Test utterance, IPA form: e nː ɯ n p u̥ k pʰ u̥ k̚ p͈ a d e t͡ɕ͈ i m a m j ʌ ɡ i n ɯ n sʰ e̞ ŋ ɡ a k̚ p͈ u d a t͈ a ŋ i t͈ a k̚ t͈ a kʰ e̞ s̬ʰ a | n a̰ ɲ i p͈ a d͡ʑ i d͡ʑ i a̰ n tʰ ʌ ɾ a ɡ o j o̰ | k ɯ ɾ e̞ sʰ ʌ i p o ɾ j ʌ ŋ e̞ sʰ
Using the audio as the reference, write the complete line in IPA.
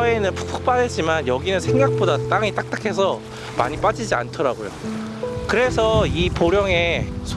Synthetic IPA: e n ɯ n p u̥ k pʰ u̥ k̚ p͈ a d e t͡ɕ͈ i m a n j ʌ ɡ i n ɯ n sʰ e̞ ŋ ɡ a k̚ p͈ o d a t͈ a ŋ i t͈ a k̚ t͈ a kʰ e̞ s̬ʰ ʌ | m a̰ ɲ i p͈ a d͡ʑ i d͡ʑ i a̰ n tʰ ʌ ɾ a ɡ o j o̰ | k ɯ ɾ e̞ sʰ ʌ i p o ɾ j ʌ ŋ e̞ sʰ